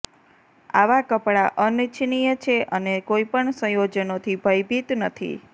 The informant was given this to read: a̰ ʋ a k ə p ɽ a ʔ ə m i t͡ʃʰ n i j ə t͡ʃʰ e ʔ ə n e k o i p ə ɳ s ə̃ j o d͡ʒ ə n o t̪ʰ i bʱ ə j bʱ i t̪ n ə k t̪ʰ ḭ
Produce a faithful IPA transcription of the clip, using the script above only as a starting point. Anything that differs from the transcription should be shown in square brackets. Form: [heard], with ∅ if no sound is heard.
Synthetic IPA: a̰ ʋ a k ə p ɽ a ʔ ə [n] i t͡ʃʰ n i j ə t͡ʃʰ e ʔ ə n e k o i p ə ɳ s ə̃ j o d͡ʒ ə n o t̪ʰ i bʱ ə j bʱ i t̪ n ə [∅] t̪ʰ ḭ